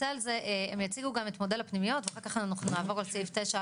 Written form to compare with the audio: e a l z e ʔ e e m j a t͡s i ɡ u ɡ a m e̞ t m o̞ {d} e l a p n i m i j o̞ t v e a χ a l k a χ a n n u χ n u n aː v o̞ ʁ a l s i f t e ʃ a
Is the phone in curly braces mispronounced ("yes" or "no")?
no